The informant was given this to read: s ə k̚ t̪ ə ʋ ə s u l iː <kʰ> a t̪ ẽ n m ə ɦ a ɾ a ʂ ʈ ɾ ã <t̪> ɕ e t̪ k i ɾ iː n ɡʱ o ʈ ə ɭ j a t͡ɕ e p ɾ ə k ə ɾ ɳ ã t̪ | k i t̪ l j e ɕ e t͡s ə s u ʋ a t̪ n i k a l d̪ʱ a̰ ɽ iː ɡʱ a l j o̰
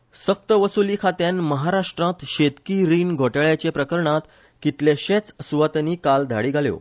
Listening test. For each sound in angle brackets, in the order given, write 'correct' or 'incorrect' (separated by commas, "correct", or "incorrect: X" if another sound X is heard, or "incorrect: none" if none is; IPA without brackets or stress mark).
correct, correct